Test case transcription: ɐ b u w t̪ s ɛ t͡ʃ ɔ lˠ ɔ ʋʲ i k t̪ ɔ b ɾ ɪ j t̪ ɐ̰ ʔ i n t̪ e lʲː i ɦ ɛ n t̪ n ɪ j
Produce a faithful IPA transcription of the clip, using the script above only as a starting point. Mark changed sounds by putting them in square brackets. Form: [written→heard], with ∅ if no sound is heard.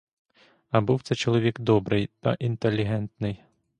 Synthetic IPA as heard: ɐ b u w t̪ s ɛ t͡ʃ ɔ lˠ ɔ ʋʲ i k [t̪→d̪] ɔ b ɾ ɪ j t̪ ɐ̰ ʔ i n t̪ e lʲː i ɦ ɛ n t̪ n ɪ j